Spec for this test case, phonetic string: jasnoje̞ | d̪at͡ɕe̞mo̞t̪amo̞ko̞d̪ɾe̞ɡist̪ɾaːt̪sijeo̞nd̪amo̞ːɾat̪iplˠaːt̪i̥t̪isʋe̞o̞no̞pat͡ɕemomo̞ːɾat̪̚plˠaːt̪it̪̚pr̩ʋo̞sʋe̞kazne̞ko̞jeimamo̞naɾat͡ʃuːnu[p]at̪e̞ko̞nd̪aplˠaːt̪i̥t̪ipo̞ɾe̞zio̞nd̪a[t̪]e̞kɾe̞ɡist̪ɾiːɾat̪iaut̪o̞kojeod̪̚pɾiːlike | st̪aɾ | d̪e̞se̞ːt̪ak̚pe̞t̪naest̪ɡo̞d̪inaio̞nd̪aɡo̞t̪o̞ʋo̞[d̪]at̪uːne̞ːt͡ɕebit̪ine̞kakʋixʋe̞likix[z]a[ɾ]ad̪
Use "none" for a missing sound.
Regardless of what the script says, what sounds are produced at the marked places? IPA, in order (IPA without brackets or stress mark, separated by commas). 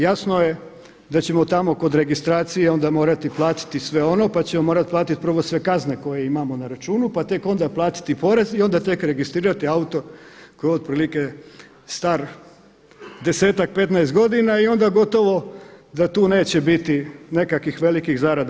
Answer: p, t̪, d̪, z, ɾ